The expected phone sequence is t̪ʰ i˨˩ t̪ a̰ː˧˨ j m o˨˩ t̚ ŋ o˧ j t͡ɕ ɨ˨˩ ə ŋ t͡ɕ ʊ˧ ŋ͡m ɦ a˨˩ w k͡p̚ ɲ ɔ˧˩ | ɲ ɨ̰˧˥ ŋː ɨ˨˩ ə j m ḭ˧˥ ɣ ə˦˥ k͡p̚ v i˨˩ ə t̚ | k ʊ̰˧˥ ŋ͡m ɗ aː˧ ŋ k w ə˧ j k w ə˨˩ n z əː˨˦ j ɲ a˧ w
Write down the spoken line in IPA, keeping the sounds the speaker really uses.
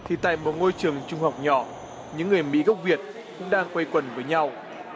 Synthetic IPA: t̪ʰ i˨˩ t̪ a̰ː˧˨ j m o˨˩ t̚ ŋ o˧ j t͡ɕ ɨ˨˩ ə ŋ t͡ɕ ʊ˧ ŋ͡m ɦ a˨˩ w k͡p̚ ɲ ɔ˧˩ | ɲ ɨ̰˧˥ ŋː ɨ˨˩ ə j m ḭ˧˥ ɣ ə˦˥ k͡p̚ v i˨˩ ə t̚ | k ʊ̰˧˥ ŋ͡m ɗ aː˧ ŋ k w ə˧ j k w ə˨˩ n v əː˨˦ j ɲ a˧ w